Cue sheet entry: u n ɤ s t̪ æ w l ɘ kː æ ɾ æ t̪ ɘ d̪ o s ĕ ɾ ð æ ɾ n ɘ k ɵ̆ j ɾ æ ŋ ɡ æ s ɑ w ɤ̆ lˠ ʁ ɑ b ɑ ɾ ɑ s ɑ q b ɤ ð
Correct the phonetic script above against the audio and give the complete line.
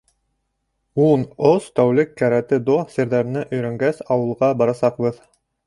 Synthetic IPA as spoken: u n o s t̪ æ w l ɘ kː æ ɾ æ t̪ ɘ d̪ o s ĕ ɾ ð æ ɾ n ɘ ʔ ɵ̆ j ɾ æ ŋ ɡ æ s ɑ w ɤ̆ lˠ ʁ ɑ b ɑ ɾ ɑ s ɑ q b ɤ ð